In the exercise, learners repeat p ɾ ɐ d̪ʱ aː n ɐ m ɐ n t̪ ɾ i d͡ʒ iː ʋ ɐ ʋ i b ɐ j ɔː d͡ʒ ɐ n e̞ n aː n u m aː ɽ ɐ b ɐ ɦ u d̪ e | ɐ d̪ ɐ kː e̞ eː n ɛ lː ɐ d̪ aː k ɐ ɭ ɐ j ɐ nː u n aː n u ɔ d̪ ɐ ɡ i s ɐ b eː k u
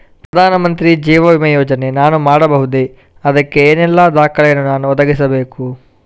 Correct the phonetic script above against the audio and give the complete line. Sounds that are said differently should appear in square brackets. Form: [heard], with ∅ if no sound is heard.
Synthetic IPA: p ɾ ɐ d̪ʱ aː n ɐ m ɐ n t̪ ɾ i d͡ʒ iː ʋ ɐ ʋ i [m] ɐ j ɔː d͡ʒ ɐ n e̞ n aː n u m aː ɽ ɐ b ɐ ɦ u d̪ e | ɐ d̪ ɐ kː e̞ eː n ɛ lː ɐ d̪ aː k ɐ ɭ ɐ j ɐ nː u n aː n u ɔ d̪ ɐ ɡ i s ɐ b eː k u